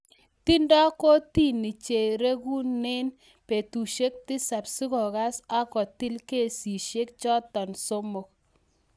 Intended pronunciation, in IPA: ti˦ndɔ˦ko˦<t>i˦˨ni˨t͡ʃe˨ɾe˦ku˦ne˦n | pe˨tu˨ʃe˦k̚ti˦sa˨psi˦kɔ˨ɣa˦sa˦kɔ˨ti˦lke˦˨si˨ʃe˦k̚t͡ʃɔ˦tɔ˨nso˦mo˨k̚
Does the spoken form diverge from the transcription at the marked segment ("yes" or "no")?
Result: no